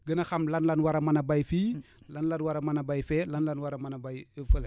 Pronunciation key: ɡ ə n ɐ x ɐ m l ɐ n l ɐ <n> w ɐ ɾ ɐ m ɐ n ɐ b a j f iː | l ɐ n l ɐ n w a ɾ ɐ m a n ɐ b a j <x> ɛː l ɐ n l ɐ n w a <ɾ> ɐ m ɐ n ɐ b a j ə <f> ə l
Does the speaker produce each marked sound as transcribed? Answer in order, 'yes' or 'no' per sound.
yes, no, yes, yes

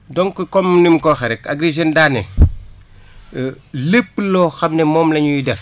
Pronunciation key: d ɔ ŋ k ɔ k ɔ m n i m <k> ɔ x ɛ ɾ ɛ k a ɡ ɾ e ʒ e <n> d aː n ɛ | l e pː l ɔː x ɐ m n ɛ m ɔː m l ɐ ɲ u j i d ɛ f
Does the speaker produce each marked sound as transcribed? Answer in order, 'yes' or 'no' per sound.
yes, yes

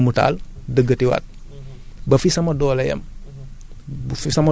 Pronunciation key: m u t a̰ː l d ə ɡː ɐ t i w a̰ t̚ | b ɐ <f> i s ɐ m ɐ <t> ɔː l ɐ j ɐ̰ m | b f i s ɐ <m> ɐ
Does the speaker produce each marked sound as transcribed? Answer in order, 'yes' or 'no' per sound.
yes, no, yes

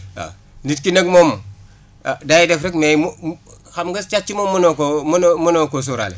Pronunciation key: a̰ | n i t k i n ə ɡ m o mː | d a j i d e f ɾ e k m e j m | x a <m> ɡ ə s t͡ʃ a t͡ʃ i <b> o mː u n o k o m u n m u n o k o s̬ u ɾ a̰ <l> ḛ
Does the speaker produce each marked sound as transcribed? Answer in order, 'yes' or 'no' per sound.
yes, no, yes

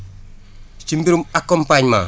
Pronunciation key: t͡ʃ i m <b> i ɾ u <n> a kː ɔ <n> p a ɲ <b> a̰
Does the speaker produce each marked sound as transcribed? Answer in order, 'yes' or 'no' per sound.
yes, no, no, no

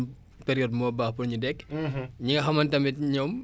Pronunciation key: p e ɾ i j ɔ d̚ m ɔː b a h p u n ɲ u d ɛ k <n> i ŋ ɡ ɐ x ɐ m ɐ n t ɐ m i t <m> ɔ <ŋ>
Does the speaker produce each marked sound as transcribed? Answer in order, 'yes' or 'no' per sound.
no, no, no

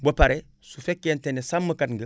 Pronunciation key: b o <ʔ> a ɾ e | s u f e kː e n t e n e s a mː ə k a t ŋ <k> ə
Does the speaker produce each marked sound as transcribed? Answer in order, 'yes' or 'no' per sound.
no, no

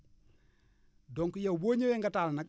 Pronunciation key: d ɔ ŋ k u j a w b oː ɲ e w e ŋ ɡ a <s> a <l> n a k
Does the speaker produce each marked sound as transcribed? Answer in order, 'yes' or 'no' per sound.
no, yes

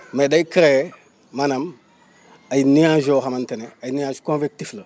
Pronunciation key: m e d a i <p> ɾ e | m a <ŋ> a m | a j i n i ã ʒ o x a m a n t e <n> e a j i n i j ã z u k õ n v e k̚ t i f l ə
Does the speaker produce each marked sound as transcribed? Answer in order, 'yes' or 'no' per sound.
no, no, yes

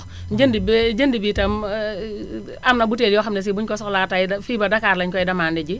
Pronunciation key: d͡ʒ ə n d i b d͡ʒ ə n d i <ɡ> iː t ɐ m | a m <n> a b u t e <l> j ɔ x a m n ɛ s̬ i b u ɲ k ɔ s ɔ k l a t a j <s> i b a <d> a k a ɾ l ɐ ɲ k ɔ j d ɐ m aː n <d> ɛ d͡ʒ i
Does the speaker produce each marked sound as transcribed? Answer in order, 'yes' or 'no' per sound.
no, yes, yes, no, yes, yes

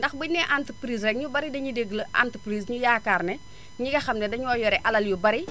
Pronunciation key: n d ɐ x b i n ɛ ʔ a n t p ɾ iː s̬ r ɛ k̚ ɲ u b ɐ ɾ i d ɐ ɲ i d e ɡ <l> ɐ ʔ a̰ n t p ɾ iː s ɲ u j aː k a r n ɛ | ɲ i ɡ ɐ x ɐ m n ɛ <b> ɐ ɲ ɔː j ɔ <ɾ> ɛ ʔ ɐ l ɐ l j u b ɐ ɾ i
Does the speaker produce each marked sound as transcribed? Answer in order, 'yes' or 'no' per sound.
yes, no, yes

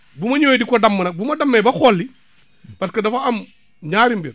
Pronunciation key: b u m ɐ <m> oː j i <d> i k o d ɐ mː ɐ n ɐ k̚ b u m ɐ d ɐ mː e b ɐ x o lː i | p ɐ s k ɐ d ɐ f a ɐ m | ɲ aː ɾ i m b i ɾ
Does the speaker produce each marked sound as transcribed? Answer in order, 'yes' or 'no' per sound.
no, yes

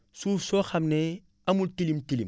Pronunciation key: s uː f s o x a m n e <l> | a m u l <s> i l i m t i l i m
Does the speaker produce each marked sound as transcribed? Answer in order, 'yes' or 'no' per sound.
no, no

